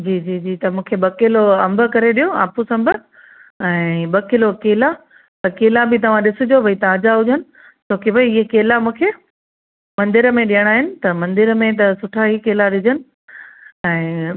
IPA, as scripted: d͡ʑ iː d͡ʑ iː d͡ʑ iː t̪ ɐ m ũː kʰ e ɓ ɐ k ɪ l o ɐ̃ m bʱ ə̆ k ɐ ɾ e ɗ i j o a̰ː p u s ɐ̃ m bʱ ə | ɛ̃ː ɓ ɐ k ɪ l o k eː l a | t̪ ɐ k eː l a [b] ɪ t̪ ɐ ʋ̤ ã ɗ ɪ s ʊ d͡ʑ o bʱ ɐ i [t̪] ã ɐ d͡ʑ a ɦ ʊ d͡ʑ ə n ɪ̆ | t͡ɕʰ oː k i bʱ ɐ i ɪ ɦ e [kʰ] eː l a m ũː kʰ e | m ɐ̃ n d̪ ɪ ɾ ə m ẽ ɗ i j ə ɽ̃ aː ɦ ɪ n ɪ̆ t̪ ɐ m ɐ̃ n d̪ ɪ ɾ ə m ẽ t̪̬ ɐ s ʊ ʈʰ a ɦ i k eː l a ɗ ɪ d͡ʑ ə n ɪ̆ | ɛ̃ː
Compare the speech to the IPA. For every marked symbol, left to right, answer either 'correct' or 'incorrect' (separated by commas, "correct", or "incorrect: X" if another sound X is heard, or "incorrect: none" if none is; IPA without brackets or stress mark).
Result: correct, correct, incorrect: k